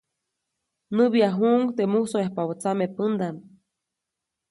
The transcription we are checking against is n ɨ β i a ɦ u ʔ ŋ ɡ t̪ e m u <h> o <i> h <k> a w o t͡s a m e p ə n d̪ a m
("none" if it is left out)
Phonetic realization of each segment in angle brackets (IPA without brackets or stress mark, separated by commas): s, e, p